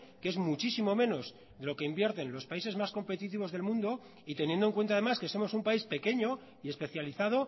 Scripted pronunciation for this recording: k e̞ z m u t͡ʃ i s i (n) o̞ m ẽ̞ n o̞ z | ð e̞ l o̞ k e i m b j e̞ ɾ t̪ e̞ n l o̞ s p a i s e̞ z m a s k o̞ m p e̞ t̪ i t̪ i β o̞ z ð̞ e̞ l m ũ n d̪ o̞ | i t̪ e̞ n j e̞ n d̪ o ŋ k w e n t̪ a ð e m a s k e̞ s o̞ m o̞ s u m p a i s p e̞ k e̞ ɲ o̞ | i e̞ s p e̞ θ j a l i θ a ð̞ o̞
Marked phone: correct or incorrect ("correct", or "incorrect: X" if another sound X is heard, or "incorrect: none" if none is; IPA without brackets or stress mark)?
incorrect: m